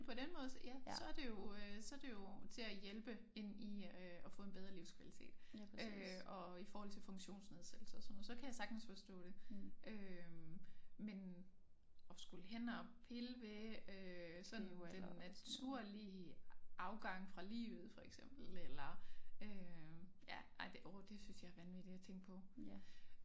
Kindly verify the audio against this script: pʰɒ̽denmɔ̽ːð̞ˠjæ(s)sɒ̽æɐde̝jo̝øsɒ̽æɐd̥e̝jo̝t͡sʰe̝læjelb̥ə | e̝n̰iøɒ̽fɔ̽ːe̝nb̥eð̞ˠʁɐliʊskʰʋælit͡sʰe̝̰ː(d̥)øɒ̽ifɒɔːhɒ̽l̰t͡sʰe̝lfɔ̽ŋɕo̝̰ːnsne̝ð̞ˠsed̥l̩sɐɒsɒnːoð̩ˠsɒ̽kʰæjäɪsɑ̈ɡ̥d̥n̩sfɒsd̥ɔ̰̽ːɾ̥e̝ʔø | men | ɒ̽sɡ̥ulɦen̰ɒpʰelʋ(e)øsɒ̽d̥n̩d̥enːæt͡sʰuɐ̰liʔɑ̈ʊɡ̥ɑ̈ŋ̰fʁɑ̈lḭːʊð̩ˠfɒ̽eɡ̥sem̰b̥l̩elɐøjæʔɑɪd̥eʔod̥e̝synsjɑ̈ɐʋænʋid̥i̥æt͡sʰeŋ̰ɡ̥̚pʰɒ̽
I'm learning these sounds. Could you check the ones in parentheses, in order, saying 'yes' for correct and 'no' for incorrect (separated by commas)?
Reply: yes, yes, yes